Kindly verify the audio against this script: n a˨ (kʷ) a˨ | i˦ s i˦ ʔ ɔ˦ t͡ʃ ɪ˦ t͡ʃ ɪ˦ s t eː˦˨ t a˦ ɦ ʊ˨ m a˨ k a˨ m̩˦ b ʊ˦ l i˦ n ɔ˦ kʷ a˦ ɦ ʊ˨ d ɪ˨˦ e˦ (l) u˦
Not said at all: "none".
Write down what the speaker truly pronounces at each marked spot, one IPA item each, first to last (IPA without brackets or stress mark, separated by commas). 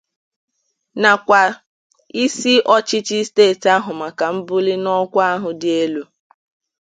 kʷ, l